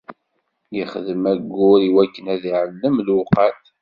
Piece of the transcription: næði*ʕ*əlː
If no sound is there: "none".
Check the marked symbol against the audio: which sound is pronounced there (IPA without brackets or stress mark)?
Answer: ʕ